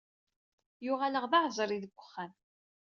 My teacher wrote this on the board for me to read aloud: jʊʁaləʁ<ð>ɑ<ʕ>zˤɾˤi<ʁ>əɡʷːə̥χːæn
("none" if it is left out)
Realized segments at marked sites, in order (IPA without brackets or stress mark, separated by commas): ð, ʕ, ð